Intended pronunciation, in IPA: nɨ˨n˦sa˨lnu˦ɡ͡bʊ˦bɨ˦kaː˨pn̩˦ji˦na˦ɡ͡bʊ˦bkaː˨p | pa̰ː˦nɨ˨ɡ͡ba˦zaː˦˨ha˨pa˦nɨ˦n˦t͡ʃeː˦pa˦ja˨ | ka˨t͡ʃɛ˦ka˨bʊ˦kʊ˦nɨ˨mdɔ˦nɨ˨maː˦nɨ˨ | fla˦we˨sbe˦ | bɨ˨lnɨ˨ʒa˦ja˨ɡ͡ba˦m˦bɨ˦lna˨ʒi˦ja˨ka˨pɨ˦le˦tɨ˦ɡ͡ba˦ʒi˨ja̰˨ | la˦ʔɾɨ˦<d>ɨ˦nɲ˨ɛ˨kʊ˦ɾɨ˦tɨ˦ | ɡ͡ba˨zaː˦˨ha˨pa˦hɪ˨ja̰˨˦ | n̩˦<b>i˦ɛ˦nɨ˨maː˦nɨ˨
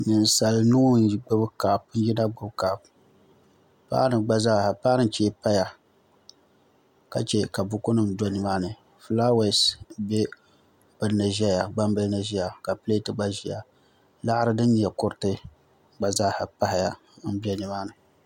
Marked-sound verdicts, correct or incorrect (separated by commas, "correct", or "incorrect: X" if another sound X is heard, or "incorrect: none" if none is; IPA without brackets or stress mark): correct, correct